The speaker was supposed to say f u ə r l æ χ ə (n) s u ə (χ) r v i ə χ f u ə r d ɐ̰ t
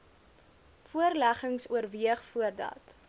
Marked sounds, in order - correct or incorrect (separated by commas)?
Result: incorrect, incorrect